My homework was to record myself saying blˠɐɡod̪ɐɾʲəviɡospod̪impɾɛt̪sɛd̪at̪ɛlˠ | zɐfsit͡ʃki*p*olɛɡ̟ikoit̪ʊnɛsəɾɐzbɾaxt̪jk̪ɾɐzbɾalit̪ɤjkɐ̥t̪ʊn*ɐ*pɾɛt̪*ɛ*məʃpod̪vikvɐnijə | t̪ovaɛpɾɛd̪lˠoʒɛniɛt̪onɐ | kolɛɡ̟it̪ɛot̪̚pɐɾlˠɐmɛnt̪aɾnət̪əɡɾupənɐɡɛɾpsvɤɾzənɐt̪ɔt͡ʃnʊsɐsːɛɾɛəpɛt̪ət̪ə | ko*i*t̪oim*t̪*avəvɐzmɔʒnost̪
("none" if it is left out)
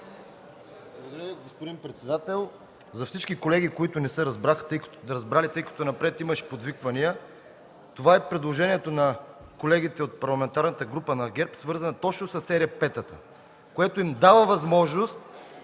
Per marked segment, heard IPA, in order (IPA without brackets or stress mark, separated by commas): k, ɐ, i, ɛ, d̪